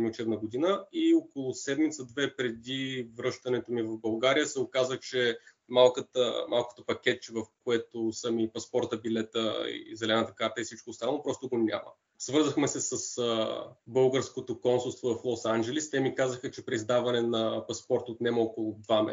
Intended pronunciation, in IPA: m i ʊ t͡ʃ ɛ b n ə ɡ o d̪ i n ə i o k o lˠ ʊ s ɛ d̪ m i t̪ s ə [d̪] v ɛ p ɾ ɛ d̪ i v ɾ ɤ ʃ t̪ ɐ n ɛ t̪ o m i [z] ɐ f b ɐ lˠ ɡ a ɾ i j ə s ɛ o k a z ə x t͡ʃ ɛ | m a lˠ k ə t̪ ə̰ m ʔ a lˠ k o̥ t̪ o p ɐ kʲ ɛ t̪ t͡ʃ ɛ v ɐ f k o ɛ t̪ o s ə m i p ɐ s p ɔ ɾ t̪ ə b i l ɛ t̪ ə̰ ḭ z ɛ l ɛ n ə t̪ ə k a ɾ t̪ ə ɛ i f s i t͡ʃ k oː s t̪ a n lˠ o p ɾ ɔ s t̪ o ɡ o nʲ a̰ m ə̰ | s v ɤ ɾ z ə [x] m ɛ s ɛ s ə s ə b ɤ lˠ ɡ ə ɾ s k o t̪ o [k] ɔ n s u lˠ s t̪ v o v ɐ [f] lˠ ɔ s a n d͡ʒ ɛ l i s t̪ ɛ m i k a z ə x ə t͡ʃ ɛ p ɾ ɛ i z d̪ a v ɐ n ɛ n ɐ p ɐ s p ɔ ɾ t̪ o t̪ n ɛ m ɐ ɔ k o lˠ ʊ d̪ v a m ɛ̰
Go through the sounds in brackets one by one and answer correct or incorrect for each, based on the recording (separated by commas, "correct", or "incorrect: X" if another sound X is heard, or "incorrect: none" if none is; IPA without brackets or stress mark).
correct, incorrect: v, correct, correct, correct